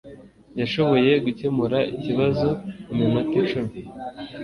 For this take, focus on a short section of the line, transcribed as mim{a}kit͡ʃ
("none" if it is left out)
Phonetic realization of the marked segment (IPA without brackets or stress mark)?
a